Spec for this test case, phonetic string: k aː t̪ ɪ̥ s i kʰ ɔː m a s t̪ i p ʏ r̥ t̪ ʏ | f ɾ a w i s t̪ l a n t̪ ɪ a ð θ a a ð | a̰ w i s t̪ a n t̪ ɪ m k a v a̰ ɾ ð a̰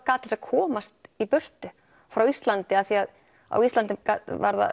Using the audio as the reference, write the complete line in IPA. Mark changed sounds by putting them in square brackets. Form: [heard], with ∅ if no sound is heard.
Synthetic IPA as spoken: k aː t̪ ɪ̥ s [a] kʰ ɔː m a s t̪ i p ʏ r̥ t̪ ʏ | f ɾ a w i s t̪ l a n t̪ ɪ a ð θ [i] a ð | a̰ w i s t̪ a n t̪ ɪ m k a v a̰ ɾ ð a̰